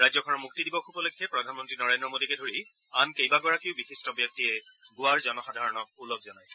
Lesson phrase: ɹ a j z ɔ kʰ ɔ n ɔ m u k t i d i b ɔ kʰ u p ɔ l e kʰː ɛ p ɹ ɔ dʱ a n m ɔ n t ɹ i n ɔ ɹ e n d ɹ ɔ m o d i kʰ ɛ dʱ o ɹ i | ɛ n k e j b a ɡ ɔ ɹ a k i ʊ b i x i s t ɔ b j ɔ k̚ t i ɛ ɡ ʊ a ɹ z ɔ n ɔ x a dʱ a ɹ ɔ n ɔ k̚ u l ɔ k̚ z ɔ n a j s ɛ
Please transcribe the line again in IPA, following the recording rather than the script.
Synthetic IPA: ɹ a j z ɔ kʰ ɔ n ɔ m u k t i d i b ɔ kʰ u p ɔ l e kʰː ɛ p ɹ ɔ dʱ a n m ɔ n t ɹ i n ɔ ɹ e n d ɹ ɔ m o d i k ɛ dʱ o ɹ i | a n k e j b a ɡ ɔ ɹ a k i ʊ b i x i s t ɔ b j ɔ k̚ t i ɛ ɡ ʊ a ɹ z ɔ n ɔ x a dʱ a ɹ ɔ n ɔ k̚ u l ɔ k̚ z ɔ n a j s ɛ